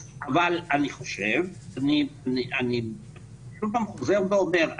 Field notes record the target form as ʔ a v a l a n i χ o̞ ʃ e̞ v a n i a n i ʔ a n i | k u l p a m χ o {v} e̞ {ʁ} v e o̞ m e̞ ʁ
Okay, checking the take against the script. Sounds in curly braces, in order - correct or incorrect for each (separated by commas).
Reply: incorrect, correct